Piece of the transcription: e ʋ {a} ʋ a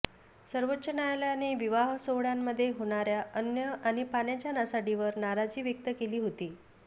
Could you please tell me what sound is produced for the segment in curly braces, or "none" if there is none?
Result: i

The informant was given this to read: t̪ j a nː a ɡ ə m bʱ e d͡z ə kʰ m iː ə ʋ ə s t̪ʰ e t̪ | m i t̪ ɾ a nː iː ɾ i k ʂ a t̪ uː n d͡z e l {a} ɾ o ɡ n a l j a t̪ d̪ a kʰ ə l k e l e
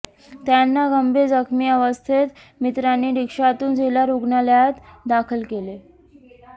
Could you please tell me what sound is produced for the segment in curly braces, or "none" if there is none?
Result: a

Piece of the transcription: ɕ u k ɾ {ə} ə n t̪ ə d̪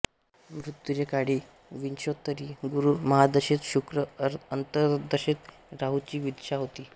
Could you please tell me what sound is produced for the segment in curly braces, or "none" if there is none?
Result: ə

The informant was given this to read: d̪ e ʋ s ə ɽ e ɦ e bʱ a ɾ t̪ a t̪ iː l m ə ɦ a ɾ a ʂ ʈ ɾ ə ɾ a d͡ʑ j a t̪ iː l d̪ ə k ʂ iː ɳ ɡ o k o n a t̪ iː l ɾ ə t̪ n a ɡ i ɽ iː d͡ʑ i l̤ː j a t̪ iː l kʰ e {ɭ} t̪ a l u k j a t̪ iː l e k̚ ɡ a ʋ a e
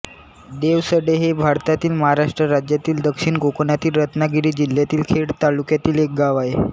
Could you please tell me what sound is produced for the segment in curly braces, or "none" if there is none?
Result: ɽ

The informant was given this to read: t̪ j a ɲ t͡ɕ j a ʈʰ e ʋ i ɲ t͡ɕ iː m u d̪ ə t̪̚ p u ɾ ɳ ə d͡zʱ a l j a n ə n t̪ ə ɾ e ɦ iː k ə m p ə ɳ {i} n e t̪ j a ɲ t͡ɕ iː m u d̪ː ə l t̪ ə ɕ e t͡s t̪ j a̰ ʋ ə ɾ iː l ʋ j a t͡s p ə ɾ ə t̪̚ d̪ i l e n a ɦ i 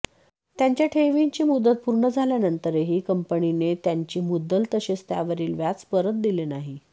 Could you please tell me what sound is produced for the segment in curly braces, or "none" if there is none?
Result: i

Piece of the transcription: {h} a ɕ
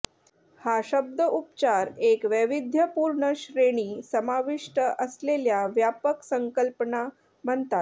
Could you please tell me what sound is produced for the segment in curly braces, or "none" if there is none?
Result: h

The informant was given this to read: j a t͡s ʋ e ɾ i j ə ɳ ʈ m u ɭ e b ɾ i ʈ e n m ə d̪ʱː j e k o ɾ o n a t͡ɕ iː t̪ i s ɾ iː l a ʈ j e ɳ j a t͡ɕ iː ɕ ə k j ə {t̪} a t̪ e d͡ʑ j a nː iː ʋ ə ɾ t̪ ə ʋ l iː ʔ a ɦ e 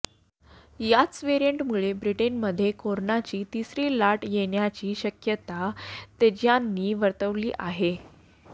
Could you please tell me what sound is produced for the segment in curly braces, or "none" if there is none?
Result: t̪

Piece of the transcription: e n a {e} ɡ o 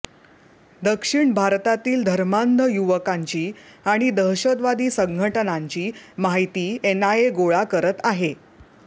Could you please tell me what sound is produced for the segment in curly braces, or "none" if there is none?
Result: e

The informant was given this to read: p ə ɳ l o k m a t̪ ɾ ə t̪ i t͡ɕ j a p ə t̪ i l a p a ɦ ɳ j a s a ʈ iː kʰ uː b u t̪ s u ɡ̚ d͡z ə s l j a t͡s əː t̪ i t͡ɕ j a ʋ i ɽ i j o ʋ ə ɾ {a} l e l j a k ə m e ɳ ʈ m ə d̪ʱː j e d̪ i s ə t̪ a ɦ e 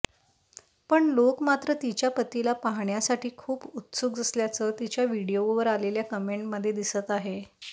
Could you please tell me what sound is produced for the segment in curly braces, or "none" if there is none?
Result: a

